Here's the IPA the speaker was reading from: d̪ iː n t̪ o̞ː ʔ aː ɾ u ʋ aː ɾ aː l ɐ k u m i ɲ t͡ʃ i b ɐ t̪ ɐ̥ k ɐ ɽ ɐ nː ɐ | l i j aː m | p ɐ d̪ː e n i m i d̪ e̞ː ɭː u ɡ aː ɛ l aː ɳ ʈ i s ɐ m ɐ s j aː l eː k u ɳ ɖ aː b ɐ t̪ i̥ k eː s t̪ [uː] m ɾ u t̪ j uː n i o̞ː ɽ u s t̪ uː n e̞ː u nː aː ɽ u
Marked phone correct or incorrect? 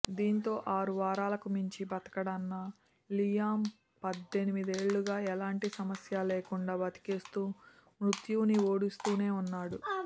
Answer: correct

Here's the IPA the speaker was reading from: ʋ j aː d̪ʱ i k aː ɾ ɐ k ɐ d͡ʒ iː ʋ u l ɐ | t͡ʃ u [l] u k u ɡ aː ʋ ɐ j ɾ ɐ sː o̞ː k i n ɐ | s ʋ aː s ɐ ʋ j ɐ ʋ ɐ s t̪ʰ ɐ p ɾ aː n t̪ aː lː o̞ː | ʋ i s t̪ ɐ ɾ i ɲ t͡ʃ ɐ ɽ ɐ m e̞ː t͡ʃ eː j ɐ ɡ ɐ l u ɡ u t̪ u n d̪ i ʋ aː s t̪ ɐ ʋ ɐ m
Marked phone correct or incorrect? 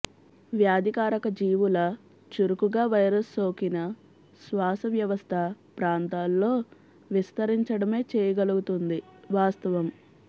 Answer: incorrect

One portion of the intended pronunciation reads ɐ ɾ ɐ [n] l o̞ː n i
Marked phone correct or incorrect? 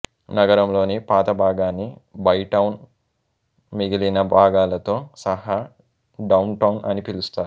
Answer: incorrect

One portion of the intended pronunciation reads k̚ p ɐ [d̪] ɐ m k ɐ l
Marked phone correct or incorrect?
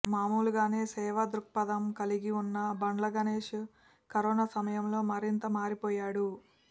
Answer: correct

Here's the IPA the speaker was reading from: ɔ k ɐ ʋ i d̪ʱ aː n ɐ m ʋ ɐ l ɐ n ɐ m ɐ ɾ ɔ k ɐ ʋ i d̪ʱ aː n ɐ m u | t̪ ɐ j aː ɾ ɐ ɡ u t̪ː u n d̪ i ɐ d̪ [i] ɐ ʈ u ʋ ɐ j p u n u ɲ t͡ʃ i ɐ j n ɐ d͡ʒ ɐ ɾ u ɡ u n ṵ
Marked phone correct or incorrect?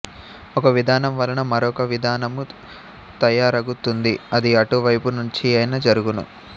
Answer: correct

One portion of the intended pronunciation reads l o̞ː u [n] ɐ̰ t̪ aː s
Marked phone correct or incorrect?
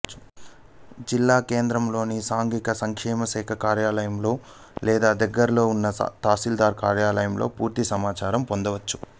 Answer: incorrect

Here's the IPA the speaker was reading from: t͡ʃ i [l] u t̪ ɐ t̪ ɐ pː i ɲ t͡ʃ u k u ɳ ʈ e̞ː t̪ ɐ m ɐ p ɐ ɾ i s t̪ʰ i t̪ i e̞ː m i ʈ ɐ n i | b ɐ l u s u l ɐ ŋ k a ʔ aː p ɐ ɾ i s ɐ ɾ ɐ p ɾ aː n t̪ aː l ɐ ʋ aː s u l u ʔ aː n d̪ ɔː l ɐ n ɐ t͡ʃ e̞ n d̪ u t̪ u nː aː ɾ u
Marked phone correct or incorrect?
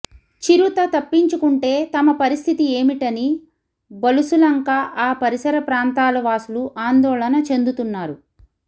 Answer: incorrect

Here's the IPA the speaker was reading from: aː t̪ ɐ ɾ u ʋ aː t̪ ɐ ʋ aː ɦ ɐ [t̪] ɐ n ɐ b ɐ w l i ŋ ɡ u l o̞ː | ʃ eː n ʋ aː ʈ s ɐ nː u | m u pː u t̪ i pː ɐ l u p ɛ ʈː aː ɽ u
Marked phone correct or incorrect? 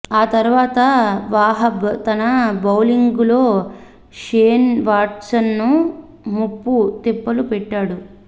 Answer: correct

